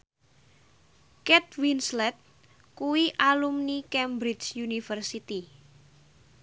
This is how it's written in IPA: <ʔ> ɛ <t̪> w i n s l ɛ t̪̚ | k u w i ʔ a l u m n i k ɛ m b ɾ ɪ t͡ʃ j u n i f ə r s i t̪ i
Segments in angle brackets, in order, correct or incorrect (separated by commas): incorrect, correct